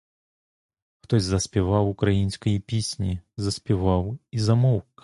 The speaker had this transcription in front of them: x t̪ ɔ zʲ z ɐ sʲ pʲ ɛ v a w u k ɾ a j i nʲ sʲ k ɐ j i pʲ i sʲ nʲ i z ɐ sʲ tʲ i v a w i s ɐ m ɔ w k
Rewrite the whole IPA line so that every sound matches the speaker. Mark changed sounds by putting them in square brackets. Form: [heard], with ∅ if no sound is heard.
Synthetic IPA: x t̪ ɔ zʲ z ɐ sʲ pʲ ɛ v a w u k ɾ a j i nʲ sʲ k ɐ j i pʲ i sʲ nʲ i z ɐ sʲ [pʲ] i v a w i [z] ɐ m ɔ w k